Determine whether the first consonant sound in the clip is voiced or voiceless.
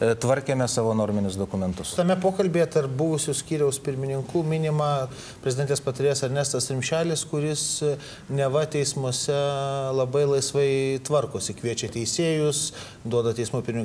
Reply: voiceless